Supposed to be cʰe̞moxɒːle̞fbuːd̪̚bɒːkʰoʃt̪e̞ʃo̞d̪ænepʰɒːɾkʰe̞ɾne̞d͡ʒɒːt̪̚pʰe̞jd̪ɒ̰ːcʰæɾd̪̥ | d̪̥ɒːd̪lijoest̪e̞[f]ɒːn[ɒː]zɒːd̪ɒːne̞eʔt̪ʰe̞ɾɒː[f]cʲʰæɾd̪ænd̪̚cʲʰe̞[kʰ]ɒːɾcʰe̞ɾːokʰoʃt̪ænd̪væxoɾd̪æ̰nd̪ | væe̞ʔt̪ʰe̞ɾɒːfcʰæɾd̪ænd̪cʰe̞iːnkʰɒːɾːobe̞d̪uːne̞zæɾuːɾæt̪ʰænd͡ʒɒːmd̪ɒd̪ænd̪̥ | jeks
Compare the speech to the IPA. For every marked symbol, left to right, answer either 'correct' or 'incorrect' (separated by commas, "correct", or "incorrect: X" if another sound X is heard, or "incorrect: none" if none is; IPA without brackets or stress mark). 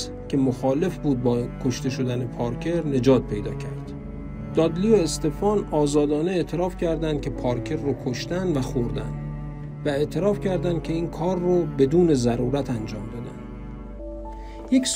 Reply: correct, correct, correct, incorrect: pʰ